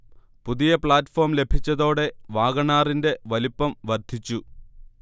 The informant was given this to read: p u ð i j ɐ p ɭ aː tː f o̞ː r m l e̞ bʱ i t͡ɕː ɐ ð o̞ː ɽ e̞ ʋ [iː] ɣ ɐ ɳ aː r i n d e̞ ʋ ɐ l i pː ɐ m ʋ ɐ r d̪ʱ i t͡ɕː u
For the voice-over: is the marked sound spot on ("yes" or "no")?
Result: no